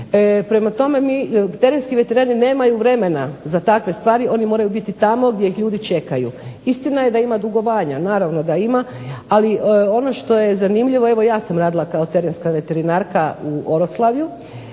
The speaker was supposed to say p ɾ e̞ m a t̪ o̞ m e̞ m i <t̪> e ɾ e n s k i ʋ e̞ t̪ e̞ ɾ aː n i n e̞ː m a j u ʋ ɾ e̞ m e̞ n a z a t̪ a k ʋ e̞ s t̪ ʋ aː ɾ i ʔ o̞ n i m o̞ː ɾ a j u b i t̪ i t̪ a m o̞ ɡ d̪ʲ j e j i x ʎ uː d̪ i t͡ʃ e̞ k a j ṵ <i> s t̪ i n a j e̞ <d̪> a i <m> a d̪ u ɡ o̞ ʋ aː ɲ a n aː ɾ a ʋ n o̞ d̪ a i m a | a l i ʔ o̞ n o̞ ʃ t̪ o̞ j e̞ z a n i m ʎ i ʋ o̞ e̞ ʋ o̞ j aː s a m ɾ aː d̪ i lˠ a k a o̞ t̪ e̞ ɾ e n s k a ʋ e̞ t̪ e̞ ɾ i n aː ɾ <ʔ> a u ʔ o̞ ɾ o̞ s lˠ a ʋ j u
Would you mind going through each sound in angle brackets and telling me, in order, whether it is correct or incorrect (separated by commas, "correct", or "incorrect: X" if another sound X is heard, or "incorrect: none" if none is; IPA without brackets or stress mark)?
correct, correct, correct, correct, incorrect: k